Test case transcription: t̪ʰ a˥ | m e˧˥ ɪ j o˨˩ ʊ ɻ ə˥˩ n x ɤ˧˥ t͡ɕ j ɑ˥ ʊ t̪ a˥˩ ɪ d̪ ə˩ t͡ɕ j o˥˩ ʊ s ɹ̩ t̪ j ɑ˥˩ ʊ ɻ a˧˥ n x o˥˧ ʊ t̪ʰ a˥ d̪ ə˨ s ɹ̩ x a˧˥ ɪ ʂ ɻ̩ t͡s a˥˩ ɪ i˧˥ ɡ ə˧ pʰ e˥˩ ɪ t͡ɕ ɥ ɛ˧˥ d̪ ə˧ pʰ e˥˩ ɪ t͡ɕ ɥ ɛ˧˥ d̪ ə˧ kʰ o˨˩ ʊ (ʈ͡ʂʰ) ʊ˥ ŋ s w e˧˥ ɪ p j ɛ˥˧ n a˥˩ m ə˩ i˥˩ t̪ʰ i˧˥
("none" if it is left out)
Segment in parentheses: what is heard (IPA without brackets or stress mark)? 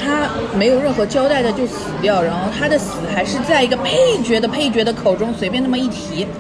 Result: ʈ͡ʂ